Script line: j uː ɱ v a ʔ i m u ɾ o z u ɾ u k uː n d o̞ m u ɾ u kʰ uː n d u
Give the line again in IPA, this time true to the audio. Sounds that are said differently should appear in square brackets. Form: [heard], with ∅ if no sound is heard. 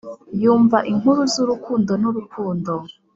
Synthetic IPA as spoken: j uː ɱ v a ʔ i [ŋ] u ɾ [u] z u ɾ u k uː n d o̞ [n] u ɾ u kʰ uː n d [o]